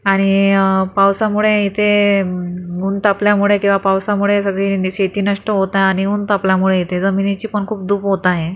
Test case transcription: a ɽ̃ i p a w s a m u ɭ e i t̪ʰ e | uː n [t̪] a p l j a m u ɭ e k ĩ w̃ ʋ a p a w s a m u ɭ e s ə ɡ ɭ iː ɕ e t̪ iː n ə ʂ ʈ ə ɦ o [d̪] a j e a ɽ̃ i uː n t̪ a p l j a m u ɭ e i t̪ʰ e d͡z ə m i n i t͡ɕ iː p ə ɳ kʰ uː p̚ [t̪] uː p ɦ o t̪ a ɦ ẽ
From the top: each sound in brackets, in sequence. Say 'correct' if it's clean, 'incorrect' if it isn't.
correct, incorrect: t̪, incorrect: d̪

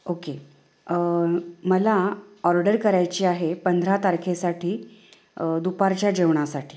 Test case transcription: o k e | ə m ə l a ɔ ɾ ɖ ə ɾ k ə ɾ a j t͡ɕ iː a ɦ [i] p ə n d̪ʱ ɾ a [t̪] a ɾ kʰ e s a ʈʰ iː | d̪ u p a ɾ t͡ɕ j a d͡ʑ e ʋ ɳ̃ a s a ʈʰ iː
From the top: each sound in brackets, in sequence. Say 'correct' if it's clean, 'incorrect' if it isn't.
incorrect: e, correct

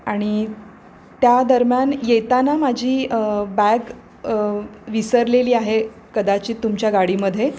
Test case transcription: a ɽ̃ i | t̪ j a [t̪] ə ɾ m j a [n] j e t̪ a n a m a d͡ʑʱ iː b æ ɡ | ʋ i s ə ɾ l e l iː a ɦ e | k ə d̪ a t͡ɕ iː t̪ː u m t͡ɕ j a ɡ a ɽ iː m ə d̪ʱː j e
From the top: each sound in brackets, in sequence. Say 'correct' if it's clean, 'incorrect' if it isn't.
incorrect: d̪, correct

